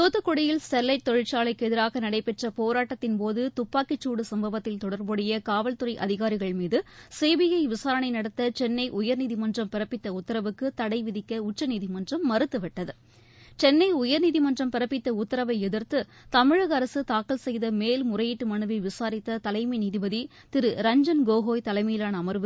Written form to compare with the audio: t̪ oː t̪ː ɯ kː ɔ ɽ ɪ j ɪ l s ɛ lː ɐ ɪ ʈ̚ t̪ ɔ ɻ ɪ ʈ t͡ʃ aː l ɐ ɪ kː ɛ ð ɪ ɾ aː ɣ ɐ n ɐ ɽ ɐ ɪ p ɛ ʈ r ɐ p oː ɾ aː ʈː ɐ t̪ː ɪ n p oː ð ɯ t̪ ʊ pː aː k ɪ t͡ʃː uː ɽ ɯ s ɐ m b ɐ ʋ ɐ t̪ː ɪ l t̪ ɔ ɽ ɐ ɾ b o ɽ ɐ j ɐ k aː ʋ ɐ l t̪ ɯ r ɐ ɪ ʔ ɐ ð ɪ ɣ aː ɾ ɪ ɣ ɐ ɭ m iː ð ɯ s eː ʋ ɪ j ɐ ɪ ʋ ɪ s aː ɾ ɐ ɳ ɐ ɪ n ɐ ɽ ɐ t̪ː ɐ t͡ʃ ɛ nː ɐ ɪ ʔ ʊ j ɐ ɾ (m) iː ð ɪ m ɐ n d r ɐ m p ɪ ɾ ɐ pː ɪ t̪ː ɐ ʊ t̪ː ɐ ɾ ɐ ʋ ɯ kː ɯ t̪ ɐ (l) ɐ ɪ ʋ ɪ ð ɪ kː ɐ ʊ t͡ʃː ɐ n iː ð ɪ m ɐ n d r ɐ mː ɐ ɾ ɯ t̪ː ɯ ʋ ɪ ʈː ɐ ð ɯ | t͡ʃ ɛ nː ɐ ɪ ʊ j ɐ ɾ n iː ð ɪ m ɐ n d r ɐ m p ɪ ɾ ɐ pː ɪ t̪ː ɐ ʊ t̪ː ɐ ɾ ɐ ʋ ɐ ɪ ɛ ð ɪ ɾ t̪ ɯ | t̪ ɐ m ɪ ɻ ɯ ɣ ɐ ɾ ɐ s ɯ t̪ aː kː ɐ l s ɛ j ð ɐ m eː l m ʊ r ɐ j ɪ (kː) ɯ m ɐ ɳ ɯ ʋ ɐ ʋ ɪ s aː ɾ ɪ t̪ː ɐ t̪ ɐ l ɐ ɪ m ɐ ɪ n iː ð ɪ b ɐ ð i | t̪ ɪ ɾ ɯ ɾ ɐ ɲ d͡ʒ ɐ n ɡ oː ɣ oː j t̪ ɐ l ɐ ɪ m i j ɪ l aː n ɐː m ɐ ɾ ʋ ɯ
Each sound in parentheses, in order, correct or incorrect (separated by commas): incorrect, incorrect, incorrect